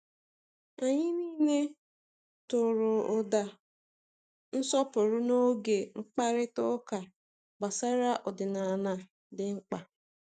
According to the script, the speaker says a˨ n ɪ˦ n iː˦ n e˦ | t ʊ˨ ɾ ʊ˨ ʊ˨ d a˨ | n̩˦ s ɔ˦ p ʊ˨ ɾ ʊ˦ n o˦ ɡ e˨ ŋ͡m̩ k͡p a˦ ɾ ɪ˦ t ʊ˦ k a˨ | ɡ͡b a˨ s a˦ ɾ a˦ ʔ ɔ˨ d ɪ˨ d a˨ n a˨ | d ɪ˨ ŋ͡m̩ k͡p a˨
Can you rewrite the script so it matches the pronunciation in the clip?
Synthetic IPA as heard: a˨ ɲ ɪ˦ n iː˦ n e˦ | t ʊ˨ ɾ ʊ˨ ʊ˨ d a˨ | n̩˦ s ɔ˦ p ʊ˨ ɾ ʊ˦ n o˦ ɡ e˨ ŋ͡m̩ k͡p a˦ ɾ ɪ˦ t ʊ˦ k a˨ | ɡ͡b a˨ s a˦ ɾ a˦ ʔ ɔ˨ d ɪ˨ n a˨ n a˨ | d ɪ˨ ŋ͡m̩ k͡p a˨